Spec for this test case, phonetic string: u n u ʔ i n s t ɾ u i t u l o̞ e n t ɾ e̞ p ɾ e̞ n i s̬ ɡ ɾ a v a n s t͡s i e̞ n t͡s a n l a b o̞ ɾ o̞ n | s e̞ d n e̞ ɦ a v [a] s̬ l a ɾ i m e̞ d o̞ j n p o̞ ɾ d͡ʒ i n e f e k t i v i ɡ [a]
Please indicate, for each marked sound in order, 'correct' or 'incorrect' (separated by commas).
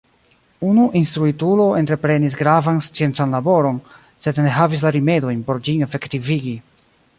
incorrect, incorrect